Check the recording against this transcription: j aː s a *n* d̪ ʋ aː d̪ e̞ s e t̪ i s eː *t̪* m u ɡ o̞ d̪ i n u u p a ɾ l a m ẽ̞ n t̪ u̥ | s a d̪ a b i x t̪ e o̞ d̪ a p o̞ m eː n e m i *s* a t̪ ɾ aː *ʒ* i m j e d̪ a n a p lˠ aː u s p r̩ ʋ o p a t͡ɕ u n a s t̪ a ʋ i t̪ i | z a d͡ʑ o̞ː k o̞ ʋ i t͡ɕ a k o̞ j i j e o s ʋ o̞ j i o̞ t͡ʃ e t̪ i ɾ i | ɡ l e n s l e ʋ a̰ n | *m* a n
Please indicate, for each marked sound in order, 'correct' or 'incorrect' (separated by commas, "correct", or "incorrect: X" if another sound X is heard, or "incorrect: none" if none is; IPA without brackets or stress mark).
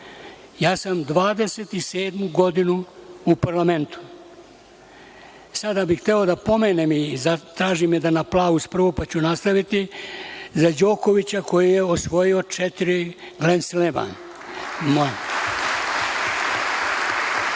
incorrect: m, incorrect: d̪, incorrect: z, correct, correct